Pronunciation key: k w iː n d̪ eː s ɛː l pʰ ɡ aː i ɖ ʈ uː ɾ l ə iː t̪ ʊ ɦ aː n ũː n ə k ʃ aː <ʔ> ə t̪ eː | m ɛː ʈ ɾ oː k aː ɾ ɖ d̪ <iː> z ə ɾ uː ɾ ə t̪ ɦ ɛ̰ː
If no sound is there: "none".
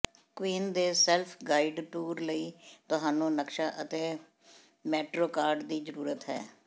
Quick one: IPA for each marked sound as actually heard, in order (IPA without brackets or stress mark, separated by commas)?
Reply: ʔ, iː